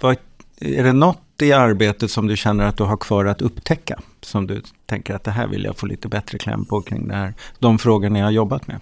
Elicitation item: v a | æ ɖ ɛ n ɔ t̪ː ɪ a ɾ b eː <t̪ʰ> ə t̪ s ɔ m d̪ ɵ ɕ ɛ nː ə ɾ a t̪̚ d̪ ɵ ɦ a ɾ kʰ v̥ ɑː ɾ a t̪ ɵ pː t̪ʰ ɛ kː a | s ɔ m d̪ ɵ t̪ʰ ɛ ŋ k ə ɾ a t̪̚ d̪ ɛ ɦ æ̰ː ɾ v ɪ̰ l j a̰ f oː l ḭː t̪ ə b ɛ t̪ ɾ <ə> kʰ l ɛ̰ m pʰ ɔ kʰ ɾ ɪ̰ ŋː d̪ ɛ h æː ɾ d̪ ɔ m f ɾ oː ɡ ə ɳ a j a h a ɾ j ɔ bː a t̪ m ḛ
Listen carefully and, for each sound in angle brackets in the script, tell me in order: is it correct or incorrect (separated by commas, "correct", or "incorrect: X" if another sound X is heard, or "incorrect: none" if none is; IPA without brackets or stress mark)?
incorrect: t̪, correct